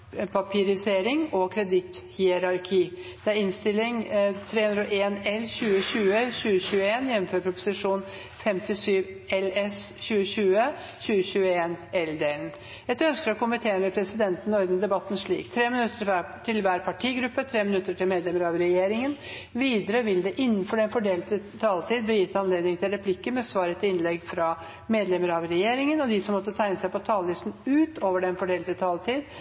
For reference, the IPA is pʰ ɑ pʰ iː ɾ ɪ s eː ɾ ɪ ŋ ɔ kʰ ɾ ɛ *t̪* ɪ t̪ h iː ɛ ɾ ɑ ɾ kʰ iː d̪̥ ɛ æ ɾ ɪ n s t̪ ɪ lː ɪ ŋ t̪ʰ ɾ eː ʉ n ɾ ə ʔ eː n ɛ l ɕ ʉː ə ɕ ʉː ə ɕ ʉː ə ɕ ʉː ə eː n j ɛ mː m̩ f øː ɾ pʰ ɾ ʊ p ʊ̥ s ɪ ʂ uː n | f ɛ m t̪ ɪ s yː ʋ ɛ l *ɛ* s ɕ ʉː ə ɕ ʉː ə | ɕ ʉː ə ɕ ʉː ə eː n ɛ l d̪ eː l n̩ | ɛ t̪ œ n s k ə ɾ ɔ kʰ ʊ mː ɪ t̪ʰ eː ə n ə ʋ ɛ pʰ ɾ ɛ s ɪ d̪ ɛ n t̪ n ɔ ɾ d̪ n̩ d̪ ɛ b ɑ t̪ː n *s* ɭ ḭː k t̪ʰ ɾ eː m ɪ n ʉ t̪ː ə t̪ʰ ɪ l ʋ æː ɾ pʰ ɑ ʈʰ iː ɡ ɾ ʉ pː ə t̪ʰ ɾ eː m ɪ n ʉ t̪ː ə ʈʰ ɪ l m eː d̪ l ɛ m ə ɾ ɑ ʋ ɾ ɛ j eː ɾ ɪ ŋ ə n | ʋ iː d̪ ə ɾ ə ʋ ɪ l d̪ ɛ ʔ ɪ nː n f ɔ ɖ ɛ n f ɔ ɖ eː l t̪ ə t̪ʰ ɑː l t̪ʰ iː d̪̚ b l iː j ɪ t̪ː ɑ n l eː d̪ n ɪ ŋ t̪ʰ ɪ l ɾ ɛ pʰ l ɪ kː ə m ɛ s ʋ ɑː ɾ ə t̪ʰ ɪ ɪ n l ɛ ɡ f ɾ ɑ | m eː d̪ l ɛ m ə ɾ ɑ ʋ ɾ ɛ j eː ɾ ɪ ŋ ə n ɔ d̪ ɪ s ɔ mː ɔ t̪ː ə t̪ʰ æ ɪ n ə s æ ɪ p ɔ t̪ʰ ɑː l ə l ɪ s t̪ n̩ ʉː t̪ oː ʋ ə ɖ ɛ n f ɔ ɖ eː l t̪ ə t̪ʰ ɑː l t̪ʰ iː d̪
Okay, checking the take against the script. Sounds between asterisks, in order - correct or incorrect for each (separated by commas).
incorrect, correct, incorrect